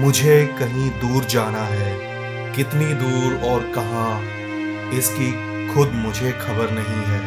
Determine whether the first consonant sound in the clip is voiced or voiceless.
voiced